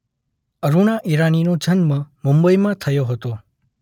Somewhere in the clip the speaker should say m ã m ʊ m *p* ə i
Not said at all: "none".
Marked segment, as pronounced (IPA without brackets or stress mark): b